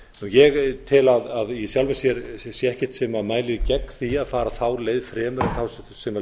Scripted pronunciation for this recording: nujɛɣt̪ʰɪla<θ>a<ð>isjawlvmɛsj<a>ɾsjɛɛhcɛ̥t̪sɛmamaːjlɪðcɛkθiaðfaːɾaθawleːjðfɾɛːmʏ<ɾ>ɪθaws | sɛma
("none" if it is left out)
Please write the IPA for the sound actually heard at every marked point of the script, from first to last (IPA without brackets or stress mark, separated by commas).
ð, ð, ɛ, ɾ